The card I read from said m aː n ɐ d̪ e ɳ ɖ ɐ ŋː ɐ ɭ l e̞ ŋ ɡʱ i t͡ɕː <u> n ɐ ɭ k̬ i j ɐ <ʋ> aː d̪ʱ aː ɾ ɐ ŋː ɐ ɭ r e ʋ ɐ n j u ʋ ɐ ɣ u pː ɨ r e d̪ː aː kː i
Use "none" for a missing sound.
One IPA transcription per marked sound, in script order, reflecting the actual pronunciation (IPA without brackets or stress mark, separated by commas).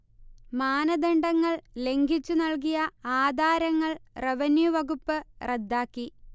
u, none